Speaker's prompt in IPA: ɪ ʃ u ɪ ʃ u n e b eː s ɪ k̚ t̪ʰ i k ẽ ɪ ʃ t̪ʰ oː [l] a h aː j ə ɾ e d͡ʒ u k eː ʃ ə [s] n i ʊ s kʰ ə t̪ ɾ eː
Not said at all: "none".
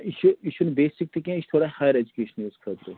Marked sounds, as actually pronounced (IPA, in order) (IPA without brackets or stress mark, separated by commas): ɽ, none